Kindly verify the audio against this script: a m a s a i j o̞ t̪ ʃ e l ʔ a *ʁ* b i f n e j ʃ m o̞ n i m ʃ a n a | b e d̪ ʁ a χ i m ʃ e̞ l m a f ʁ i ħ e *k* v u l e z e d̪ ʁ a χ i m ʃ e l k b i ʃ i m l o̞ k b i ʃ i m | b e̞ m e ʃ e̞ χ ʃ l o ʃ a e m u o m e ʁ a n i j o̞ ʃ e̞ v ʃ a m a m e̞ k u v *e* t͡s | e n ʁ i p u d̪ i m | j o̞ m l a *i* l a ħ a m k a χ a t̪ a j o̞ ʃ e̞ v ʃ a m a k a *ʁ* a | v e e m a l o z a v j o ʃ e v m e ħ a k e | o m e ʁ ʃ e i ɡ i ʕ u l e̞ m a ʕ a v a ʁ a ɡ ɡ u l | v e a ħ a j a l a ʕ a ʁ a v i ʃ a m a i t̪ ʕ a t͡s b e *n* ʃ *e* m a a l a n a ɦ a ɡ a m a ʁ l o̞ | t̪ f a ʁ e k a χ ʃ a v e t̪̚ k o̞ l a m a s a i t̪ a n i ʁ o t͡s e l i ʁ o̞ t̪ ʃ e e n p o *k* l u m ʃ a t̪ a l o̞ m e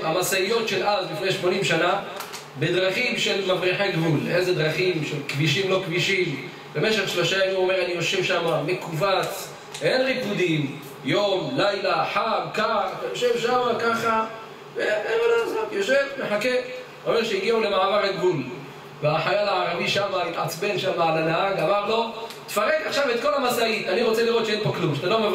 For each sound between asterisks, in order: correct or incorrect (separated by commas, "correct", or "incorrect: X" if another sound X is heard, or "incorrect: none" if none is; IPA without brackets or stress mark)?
incorrect: z, incorrect: ɡ, incorrect: a, incorrect: j, incorrect: χ, correct, incorrect: a, correct